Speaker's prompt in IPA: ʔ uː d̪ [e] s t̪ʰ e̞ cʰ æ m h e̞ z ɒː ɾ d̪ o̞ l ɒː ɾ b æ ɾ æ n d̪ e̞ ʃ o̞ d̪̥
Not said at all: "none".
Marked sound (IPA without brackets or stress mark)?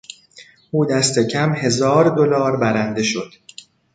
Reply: æ